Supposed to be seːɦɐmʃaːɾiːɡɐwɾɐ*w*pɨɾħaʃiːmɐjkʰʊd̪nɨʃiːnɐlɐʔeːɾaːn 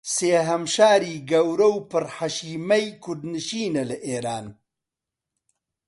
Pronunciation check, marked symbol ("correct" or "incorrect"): correct